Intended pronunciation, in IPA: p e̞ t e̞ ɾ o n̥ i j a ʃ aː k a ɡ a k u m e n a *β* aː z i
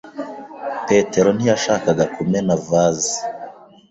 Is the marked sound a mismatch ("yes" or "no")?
yes